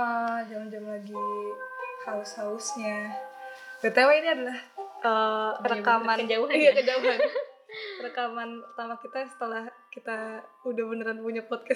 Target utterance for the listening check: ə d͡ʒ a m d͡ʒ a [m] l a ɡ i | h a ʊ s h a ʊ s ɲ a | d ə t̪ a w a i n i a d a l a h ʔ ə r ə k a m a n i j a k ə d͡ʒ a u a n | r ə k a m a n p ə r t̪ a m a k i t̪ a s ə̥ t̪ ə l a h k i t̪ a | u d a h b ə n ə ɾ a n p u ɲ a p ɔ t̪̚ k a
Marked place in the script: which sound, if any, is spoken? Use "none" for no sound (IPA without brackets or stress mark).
m